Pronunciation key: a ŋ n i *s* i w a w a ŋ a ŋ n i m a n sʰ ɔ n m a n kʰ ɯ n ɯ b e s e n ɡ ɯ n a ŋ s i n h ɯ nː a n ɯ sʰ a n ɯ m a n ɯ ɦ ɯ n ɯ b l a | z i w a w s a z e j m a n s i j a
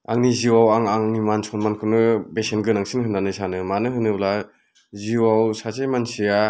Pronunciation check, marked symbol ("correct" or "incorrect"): incorrect